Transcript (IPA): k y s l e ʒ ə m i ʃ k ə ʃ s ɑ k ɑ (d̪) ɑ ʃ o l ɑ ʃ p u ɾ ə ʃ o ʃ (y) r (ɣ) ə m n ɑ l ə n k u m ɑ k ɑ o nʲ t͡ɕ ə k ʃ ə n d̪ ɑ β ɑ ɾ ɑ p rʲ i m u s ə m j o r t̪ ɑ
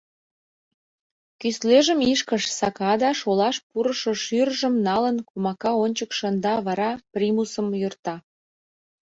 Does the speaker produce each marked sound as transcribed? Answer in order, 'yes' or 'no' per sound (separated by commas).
yes, yes, no